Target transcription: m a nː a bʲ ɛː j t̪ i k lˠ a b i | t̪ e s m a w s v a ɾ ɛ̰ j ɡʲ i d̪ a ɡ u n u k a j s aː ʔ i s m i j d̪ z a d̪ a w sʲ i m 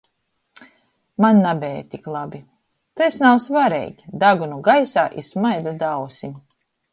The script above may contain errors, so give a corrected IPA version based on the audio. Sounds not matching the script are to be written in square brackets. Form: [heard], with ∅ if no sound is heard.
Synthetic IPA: m a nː a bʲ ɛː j t̪ i k lˠ a b i | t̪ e s [n] a w s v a ɾ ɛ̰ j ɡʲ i d̪ a ɡ u n u [ɡ] a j s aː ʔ i s m [a] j d̪ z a d̪ a w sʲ i m